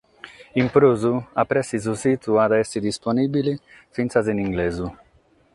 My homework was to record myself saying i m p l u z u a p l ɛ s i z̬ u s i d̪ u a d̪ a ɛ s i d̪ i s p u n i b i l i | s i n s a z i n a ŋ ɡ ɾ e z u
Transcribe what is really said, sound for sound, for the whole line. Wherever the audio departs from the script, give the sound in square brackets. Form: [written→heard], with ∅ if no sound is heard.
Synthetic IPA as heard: i m p [l→ɾ] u z u a p [l→ɾ] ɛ s i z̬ u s i [d̪→t̪] u a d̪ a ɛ s i d̪ i s p [u→o] n i b i l i | [s→f] i n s a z i n [a→i] ŋ ɡ [ɾ→l] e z u